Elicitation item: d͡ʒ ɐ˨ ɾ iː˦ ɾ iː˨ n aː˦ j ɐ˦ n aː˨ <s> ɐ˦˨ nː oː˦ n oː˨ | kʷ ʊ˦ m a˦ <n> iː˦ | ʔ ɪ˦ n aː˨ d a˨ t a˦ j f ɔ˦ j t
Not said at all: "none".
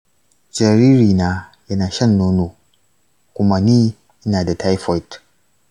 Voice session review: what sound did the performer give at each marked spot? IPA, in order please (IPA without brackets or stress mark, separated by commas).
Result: ʃ, n